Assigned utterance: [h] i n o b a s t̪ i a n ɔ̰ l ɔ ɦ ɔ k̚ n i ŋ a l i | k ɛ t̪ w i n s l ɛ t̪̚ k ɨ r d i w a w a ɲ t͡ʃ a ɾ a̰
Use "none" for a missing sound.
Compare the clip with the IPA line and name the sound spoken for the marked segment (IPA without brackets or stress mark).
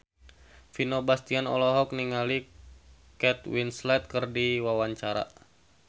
f